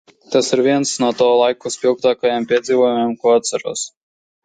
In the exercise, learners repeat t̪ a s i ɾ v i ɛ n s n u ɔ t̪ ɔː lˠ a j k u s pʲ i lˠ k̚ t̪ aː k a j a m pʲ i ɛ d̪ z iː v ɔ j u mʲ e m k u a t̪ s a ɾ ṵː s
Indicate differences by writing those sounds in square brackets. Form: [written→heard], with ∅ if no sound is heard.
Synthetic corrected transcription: t̪ a s i ɾ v i ɛ n s n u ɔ t̪ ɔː lˠ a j k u s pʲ i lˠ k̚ t̪ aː k a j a m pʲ i ɛ d̪ z iː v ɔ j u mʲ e m k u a t̪ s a ɾ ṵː s